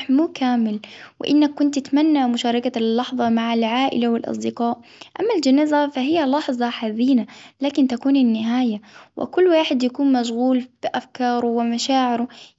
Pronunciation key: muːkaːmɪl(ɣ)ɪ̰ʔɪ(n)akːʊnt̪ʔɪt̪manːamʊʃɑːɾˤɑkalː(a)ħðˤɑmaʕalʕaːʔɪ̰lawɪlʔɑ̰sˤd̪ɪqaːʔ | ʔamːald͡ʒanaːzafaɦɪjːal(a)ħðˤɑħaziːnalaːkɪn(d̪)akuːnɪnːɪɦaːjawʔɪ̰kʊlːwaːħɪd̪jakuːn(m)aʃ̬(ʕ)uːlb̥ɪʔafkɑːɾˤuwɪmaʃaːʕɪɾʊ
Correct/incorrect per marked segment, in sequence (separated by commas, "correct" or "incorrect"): incorrect, incorrect, incorrect, incorrect, incorrect, correct, incorrect